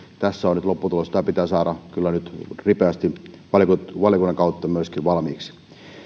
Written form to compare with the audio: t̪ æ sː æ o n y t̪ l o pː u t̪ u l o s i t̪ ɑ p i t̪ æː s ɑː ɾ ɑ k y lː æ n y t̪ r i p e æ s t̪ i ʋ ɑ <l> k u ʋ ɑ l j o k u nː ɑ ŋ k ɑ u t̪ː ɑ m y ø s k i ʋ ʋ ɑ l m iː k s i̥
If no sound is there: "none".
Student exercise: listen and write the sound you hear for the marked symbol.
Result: l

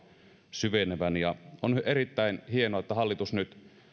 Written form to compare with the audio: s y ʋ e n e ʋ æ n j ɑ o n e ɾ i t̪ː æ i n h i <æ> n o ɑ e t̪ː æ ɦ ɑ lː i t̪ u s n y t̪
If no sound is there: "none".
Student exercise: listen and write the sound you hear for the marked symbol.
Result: e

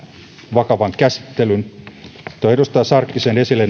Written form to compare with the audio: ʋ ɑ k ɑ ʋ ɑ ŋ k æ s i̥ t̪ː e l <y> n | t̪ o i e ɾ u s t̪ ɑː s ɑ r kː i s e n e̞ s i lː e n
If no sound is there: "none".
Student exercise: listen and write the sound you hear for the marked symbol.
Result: y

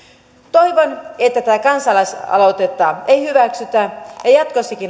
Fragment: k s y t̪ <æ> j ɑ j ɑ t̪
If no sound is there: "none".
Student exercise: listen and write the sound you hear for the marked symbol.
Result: æ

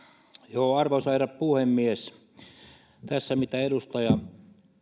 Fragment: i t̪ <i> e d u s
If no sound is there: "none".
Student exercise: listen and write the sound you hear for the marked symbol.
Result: æ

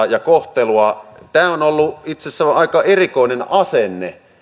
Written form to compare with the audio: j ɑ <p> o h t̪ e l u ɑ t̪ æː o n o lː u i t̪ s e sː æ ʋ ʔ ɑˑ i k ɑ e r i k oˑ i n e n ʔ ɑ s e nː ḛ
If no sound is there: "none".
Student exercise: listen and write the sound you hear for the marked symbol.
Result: k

